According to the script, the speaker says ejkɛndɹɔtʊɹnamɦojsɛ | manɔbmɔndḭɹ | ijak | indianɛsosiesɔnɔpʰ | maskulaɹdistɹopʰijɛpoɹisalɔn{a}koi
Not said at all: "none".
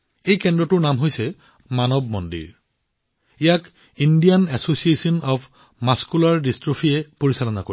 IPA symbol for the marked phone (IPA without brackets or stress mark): a